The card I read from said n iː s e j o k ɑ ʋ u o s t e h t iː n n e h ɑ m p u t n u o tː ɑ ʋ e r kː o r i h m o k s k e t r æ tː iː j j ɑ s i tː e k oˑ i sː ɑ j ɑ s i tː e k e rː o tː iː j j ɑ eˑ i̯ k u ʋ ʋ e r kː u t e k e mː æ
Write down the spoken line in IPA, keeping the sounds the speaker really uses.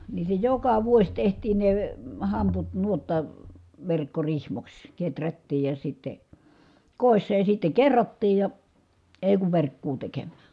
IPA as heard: n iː s e j o k ɑ ʋ u o s t e h t iː n n e h ɑ m p u t n u o tː ɑ ʋ e r kː o r i h m o k s k e t r æ tː iː j j ɑ s i tː e k oˑ i sː ɑ j ɑ s i tː e k e rː o tː iː j j ɑ eˑ i̯ k u ʋ ʋ e r kː uː t e k e mː æː

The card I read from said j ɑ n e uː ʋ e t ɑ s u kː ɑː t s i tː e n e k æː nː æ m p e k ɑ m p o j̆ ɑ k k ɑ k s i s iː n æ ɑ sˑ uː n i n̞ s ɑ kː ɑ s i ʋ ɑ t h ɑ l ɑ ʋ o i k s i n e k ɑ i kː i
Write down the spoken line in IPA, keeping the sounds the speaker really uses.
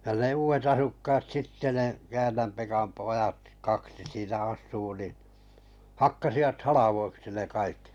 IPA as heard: j ɑ n e uː ʋ e t ɑ s u kː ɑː t s i tː e n e k æː nː æ m p e k ɑ m p o j̆ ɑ t k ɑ k s i s iː n æ ɑ sˑ uː n i n̞ h ɑ kː ɑ s i ʋ ɑ t h ɑ l ɑ ʋ o i k s i n e k ɑ i kː i

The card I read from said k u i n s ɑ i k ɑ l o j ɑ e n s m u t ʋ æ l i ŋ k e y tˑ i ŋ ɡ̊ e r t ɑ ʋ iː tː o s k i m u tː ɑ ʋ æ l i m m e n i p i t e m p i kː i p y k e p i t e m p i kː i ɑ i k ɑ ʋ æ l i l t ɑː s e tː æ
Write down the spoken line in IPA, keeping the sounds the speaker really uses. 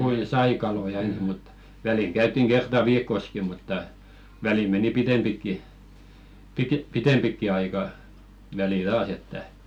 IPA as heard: k u i n s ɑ i k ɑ l o j ɑ e n s m u t ʋ æ l i ŋ k æ y tˑ i ŋ ɡ̊ e r t ɑ ʋ iː kː o s k i m u tː ɑ ʋ æ l i m m e n i p i t e m p i kː i p i k e p i t e m p i kː i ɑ i k ɑ ʋ æ l i l t ɑː s e tː æ

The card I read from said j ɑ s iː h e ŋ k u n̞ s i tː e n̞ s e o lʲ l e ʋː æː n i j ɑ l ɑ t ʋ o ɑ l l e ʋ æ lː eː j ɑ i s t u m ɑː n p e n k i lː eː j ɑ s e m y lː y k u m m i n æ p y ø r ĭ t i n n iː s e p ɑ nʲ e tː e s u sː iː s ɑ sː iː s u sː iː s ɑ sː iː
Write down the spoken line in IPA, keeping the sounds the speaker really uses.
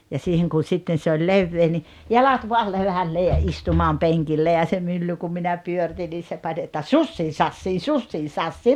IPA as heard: j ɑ s iː h e ŋ k u n̞ s i tː e n̞ s e o lʲ l e ʋː eː n i j ɑ l ɑ t ʋ o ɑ l l e ʋ æ lː eː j ɑ i s t u m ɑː m p e ŋ k i lː e j ɑ s e m y lː y k u m m i n æ p y ø r ĭ t i n n iː s e p ɑ nʲ e tː æ s u sː iː s ɑ sː iː s u sː iː s ɑ sː iː

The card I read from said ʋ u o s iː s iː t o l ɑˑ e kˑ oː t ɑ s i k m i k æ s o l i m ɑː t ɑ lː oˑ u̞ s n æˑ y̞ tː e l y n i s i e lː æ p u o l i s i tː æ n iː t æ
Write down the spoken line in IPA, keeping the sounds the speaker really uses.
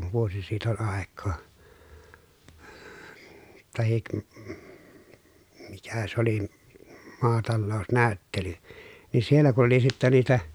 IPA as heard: ʋ u o s i s iː t o l ɑˑ e kˑ oː t ɑ h i k m i k æ s o l i m ɑː t ɑ lː oˑ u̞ s n æˑ y̞ tː e l y n i s i e lː æ k u o l i s i tː æ n iː t æ

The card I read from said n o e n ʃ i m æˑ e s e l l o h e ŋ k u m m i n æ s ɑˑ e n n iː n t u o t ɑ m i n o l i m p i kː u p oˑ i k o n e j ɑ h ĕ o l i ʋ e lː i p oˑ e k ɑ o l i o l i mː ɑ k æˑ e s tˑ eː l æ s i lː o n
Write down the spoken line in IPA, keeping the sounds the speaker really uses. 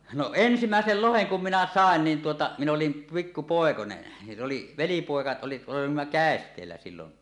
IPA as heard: n o e n s i m æˑ e s e l l o h e ŋ k u m m i n æ s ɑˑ e n n iː n t u o t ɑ m i n o l i m p i kː u p oˑ e k o n e j ɑ s ĕ o l i ʋ e l i p oˑ e k ɑ o l i o l i mː ɑ k æˑ e s tˑ eː lː æ s i lː o n

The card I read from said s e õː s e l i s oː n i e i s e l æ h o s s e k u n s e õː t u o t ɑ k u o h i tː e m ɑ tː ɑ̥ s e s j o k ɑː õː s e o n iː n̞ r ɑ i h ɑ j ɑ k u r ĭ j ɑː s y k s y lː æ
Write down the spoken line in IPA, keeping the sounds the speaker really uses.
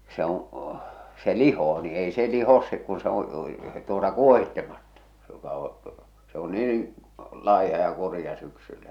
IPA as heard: s e õː s e l i h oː n i e i s e l i h o s s e k u n s e õː t u o t ɑ k u o h i tː e m ɑ tː ɑ̥ s e j o k ɑ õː s e o n iː n̞ l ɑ i h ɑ j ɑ k u r ĭ j ɑ s y k s y lː æ

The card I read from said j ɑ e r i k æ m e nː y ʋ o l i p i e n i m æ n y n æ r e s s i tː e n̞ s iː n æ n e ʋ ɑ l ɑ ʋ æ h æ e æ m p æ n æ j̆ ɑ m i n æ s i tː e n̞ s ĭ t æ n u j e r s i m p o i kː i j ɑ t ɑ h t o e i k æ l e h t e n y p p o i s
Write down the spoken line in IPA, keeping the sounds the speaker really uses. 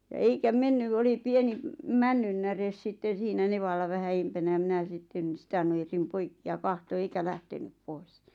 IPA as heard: j ɑ e i k æ m e nː y ʋ o l i p i e n i m æ nː y nː æ r e s s i tː e n̞ s iː n æ n e ʋ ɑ lː ɑ ʋ æ h æ e i m p æ n æ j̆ ɑ m i n æ s i tː e n̞ s ĭ t æ n u j e r s i m p o i kː i j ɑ k ɑ h t o e i k æ l æ h t e n y p p o i s

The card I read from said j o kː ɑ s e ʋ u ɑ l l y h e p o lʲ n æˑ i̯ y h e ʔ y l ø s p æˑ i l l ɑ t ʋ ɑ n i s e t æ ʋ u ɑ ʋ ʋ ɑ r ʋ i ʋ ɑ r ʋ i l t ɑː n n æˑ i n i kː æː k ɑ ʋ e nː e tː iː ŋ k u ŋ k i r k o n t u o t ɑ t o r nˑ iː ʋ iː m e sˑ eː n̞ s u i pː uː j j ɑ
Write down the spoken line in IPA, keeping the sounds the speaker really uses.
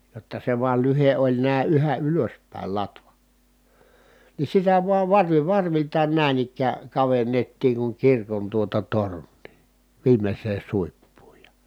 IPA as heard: j o tː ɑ s e ʋ u ɑ l l y h e ʔ o lʲ n æˑ i̯ y h æ ʔ y l ø s p æˑ i l l ɑ t ʋ ɑ n i s i t æ ʋ u ɑ ʋ ʋ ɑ r ʋ i ʋ ɑ r ʋ i l t ɑː n n æˑ i n i kː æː k ɑ ʋ e nː e tː iː ŋ k u ŋ k i r k o n t u o t ɑ t o r nˑ iː ʋ iː m e sˑ eː n̞ s u i pː uː j j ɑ

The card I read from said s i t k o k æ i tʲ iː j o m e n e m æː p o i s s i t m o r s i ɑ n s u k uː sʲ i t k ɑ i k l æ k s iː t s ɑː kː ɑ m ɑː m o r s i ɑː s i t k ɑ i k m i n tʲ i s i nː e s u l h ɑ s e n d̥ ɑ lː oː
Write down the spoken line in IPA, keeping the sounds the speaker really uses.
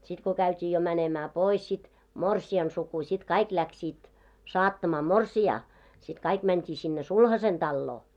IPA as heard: s i t k o k æ y tʲ iː j o m æ n e m æː p o i s s i t m o r s i ɑ n s u k u sʲ i t k ɑ i k l æ k s iː t s ɑː tː ɑ m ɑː m o r s i ɑː s i t k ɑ i k m æ n tʲ iː s i nː e s u l h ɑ s e n d̥ ɑ lː oː

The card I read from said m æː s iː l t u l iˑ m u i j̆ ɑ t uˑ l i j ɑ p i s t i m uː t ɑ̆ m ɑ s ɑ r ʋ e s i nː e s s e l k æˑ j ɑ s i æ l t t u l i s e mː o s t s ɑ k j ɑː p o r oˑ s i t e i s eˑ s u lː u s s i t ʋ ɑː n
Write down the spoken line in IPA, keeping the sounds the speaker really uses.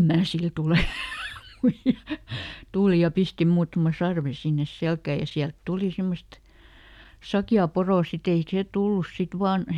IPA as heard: m æː s i l t u l eˑ m u i j̆ ɑ t uˑ l i j ɑ p i s t i m uː t ɑ̆ m ɑ s ɑ r ʋ e s i nː e s s e l k æˑ j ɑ s i æ l t t u l i s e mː o s t s ɑ k j ɑː p o r oˑ s i t e i s eˑ t u lː u s s i t ʋ ɑː n

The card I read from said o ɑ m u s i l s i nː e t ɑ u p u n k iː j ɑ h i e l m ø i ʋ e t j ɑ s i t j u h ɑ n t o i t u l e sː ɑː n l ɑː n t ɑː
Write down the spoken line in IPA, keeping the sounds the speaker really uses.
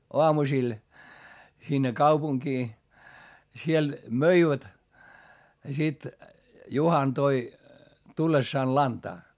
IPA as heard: o ɑ m u s i l s i nː e k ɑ u p u ŋ k iː j ɑ s i e l m ø i ʋ æ t j ɑ s i t j u h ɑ n t o i t u lː e sː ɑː n l ɑ n t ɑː

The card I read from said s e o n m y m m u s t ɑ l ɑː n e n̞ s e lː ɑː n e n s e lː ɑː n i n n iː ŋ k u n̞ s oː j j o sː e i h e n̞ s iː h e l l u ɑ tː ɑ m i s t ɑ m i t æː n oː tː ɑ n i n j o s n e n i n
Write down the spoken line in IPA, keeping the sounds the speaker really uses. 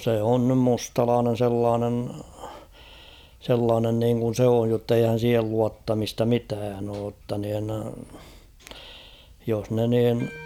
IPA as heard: s e o n n y m m u s t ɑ l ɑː n e n̞ s e lː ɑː n e n s e lː ɑː n e n n iː ŋ k u n̞ s oː j j o tː e i h æ n̞ s iː h e l l u ɑ tː ɑ m i s t ɑ m i t æː n oː tː ɑ n i n j o s n e n iː n

